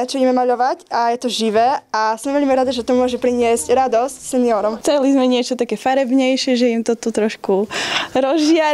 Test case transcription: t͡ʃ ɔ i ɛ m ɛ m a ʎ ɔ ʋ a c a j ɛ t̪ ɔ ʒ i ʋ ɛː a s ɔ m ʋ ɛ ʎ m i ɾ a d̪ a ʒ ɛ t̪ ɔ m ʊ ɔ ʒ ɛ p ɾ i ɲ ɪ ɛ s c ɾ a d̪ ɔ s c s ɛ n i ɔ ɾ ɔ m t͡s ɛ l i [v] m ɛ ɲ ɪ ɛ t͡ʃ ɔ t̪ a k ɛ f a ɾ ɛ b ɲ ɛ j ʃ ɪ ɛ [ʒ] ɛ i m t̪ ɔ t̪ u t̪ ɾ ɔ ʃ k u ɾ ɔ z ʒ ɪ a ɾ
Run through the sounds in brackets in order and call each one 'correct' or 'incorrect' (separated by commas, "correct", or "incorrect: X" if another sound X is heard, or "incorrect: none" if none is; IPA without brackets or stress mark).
incorrect: z, correct